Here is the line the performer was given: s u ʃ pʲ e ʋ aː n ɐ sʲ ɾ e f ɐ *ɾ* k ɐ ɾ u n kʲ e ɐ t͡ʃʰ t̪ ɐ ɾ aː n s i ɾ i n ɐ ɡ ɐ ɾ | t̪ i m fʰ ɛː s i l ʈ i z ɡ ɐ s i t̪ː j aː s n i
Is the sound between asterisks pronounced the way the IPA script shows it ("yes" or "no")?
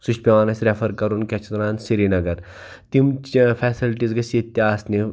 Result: yes